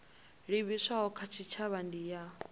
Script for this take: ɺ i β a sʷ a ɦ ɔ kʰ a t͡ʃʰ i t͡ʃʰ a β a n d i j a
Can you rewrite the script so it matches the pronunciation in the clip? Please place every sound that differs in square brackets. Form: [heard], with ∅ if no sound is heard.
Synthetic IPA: ɺ i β [i] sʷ a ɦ ɔ kʰ a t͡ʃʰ i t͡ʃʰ a β a n d i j a